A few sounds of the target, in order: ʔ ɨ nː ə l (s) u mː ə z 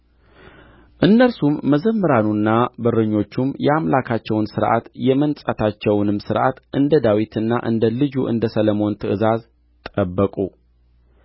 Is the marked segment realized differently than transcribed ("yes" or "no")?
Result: no